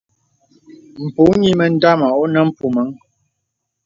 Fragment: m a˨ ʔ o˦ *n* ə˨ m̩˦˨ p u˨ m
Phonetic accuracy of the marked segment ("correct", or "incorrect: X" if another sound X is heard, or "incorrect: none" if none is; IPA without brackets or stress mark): correct